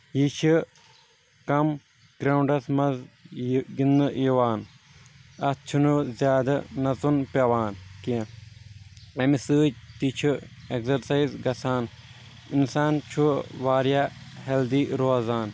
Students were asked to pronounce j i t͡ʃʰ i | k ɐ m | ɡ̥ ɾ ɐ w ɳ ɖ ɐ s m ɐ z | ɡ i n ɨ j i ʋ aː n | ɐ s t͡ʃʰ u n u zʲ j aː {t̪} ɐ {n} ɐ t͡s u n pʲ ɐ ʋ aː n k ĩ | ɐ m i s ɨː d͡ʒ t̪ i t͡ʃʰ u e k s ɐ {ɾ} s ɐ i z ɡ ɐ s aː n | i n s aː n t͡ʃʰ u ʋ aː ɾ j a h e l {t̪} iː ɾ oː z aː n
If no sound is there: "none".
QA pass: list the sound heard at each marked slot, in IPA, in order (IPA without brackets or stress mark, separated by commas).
d̪, n, ɾ, d̪